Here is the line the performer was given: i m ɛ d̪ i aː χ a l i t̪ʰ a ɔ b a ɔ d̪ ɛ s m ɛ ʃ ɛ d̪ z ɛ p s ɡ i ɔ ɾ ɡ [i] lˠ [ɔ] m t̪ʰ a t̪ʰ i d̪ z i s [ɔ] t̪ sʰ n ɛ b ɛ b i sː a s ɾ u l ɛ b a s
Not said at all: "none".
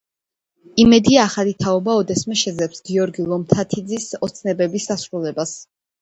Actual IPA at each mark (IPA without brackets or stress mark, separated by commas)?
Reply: i, ɔ, ɔ